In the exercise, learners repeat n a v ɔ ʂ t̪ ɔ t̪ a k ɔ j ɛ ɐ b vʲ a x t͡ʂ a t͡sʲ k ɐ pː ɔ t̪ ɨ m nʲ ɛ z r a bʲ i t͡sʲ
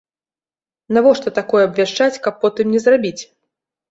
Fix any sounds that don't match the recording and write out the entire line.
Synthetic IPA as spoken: n a v ɔ ʂ t̪ ɔ t̪ a k ɔ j ɛ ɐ b vʲ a ʂ t͡ʂ a t͡sʲ k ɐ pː ɔ t̪ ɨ m nʲ ɛ z r a bʲ i t͡sʲ